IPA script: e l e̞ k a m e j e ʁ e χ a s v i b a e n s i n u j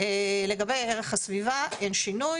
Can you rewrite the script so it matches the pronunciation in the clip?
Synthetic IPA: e l e̞ ɡ a b e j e ʁ e χ a s v i v a e n ʃ i n u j

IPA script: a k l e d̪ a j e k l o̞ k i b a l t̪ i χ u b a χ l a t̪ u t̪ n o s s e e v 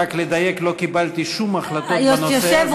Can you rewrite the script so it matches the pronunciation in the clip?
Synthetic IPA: a k l e d̪ a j e k l o̞ k i b a l t̪ i ʃ u m a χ l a t̪ o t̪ n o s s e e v

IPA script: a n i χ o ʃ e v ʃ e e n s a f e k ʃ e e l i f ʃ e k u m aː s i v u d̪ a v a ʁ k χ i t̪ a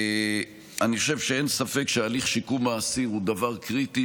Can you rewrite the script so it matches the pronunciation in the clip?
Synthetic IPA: a n i χ o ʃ e v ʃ e e n s a f e k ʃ e a l i χ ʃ i k u m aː s i ʁ u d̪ a v a ʁ k ʁ i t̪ i

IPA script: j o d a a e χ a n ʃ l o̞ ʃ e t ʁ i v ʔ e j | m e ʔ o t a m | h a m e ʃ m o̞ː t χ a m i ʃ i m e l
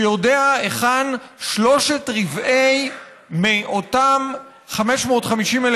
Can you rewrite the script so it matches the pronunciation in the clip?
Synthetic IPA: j o d e a e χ a n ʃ l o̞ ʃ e t ʁ i v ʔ e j | m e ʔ o t a m | χ a m e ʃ m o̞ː t χ a m i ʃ i m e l

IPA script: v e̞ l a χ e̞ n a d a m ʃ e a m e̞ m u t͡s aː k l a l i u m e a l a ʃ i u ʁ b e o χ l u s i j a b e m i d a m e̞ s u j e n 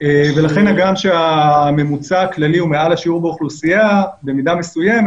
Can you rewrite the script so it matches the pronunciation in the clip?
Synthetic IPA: v e̞ l a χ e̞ n a ɡ a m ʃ e a m e̞ m u t͡s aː k l a l i u m e a l a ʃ i u ʁ b e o χ l u s i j a b e m i d a m e̞ s u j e m

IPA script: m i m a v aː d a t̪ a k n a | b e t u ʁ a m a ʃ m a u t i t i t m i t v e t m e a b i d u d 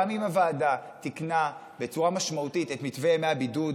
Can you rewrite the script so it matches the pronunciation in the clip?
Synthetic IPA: m i m a v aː d a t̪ i k n a | b e t͡s u ʁ a m a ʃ m a u t i t e t m i t v e m e a b i d u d

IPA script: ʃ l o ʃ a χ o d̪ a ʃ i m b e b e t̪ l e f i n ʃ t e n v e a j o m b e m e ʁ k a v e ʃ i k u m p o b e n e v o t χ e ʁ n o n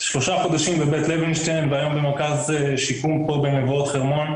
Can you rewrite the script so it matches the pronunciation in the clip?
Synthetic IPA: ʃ l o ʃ a χ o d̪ a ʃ i m b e b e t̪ l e v i n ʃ t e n v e a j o m b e m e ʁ k a z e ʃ i k u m p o b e n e v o t χ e ʁ m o n

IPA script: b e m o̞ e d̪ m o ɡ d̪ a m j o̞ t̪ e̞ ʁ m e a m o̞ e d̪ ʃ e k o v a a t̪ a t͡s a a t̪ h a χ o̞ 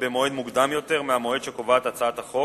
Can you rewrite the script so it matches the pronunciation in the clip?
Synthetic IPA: b e m o̞ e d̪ m u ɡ d̪ a m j o̞ t̪ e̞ ʁ m e a m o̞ e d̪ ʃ e k o v a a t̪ a t͡s a a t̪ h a χ o̞

